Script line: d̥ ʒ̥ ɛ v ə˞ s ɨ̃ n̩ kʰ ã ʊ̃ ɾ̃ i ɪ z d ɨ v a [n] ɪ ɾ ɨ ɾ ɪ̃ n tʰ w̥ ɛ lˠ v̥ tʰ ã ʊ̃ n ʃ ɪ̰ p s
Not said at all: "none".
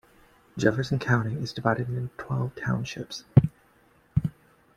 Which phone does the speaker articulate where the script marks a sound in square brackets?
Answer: none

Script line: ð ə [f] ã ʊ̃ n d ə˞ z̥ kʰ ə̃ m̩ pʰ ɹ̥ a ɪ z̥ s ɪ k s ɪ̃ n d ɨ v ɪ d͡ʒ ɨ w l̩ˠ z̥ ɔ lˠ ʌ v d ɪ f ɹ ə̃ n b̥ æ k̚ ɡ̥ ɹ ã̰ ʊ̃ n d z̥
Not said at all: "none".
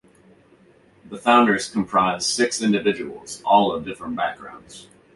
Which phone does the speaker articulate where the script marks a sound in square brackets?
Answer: f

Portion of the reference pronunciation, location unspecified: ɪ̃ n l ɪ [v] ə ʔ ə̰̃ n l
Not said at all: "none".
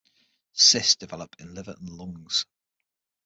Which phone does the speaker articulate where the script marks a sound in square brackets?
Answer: v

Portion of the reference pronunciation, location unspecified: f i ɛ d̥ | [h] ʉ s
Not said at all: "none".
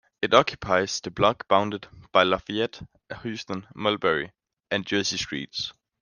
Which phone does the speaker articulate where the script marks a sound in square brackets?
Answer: h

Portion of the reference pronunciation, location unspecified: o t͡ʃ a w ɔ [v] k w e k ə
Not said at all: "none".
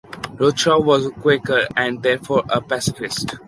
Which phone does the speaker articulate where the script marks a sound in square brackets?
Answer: z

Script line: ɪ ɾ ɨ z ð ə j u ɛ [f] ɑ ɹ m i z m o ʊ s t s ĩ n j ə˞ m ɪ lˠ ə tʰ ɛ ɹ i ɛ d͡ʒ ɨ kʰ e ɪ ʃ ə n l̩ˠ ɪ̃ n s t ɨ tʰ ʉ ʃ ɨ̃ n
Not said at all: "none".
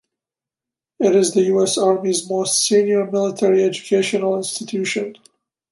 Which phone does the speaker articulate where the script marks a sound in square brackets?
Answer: s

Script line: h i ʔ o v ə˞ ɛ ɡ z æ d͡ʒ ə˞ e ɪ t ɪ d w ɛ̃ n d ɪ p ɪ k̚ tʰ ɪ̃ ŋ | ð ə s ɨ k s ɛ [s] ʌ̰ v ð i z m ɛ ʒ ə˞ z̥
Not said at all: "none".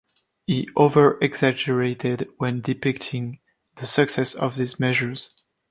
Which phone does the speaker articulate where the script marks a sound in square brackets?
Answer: s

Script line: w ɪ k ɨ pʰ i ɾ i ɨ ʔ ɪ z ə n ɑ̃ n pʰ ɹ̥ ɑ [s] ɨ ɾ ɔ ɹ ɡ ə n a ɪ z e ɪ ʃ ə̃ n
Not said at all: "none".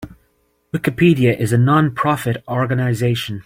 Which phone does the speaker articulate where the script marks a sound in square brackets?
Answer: f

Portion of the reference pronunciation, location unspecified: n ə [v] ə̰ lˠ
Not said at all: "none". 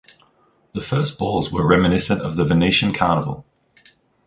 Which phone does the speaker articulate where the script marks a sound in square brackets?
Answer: v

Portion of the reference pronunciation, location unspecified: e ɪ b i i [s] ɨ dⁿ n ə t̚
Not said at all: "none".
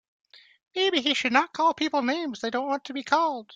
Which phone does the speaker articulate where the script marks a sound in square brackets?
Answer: ʃ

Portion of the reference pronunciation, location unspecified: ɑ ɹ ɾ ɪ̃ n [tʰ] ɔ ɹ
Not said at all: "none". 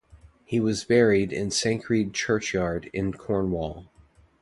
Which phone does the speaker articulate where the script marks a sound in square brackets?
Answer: kʰ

